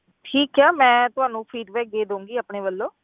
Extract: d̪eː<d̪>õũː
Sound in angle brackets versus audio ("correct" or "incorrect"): correct